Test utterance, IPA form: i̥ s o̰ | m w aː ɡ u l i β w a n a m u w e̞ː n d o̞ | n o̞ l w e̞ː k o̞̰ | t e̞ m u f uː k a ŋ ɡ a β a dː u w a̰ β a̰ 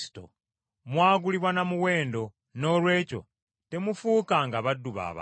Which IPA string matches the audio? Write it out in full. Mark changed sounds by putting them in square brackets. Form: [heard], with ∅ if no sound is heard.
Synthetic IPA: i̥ [t] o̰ | m w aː ɡ u l i β w a n a m u w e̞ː n d o̞ | n o̞ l w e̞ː [c] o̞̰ | t e̞ m u f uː k a ŋ ɡ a β a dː u [β] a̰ β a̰